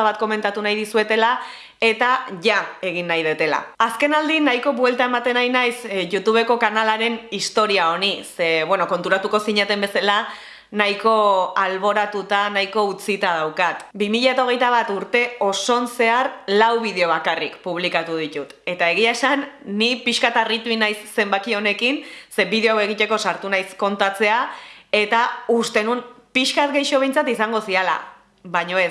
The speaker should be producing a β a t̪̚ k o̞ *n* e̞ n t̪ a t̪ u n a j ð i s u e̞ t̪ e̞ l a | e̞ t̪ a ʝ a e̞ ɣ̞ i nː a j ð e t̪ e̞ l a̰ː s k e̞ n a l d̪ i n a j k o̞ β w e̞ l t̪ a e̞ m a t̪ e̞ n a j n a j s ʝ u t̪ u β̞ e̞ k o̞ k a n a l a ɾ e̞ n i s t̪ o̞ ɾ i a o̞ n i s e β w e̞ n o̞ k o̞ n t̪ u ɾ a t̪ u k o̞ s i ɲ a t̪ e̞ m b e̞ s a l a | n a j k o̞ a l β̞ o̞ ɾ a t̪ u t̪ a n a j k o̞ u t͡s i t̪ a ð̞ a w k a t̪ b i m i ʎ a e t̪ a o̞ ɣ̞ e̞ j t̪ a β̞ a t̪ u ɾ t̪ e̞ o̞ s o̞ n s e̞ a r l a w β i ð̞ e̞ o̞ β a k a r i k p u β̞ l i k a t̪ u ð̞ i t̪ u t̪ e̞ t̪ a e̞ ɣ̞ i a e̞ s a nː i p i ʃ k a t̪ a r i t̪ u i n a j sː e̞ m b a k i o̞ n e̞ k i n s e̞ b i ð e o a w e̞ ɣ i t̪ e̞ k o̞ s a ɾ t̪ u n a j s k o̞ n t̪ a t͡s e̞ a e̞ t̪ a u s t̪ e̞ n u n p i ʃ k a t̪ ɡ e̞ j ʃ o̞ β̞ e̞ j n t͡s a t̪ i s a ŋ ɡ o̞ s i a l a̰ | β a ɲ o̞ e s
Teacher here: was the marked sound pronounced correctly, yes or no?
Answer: no